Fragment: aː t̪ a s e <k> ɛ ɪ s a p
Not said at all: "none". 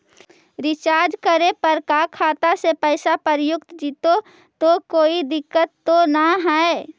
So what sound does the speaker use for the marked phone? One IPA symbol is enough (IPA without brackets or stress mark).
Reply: p